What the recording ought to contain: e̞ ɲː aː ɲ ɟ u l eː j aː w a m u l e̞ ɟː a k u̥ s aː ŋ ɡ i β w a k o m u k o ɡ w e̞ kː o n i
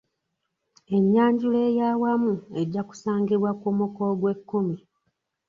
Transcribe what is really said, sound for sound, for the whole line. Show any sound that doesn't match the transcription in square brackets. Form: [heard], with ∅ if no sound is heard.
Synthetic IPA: e̞ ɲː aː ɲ ɟ u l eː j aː w a m u [∅] e̞ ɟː a k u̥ s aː ŋ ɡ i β w a k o m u k o ɡ w e̞ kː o [m] i